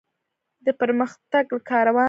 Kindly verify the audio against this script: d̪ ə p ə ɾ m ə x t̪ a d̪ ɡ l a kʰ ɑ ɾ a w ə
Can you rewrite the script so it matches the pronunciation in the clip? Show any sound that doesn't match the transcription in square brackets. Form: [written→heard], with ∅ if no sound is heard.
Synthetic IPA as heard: d̪ ə p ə ɾ m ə x t̪ a [d̪→∅] ɡ l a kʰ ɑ ɾ a w [ə→ɑ]